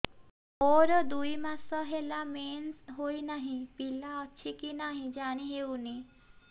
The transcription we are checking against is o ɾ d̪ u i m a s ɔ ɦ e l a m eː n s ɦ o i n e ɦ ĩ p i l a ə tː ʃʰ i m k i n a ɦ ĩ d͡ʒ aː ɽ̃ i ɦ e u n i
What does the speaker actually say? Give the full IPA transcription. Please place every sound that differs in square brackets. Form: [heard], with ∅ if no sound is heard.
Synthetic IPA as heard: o ɾ d̪ u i m a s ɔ ɦ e l a m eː n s ɦ o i n [a] ɦ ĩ p i l a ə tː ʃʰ i [∅] k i n a ɦ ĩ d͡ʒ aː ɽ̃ i ɦ e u n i